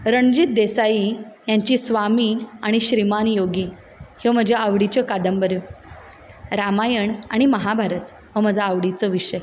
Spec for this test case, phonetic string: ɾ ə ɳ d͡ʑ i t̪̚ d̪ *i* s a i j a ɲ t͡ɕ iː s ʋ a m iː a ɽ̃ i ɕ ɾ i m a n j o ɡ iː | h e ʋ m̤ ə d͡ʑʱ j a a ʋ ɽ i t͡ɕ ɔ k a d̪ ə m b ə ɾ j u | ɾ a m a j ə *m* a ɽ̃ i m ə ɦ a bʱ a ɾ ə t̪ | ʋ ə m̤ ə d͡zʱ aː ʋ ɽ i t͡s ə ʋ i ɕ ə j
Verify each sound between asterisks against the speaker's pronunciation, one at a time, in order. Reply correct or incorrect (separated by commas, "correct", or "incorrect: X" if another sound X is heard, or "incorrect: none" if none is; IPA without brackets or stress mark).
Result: incorrect: e, incorrect: ɳ